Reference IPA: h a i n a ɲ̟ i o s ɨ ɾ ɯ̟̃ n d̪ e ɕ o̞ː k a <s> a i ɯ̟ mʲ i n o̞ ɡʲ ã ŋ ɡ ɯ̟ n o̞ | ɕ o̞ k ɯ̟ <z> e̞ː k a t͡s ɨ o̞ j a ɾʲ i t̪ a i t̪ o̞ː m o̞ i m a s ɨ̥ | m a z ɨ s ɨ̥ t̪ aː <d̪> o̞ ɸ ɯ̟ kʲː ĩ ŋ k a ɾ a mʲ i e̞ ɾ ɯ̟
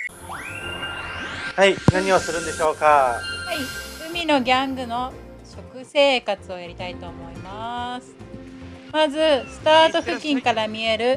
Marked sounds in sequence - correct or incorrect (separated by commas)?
incorrect, incorrect, incorrect